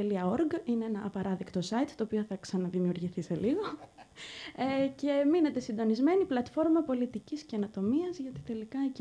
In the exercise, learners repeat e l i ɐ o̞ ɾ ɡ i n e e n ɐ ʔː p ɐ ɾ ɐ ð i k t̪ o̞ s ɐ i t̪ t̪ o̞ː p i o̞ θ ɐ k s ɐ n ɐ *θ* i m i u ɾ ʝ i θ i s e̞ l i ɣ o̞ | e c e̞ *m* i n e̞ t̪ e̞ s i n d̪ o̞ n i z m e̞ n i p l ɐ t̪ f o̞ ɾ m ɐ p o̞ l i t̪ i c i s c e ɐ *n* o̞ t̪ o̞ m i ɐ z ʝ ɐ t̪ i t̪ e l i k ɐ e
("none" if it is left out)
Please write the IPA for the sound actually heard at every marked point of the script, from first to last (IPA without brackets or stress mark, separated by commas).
ð, m, n